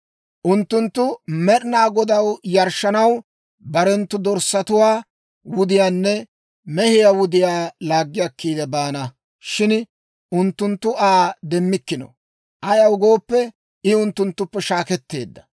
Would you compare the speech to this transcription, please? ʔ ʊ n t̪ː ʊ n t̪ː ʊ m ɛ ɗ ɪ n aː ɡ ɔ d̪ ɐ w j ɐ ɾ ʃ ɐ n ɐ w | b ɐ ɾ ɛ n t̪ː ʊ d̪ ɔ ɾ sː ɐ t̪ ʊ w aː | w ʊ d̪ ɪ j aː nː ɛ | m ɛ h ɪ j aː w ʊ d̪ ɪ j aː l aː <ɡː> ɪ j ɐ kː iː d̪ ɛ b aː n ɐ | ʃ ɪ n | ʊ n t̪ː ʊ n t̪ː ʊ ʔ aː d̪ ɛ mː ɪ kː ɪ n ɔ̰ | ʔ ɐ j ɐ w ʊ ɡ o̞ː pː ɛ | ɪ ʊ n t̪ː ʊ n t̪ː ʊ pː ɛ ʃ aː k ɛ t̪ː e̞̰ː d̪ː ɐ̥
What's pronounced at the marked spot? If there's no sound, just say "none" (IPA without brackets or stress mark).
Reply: ɡː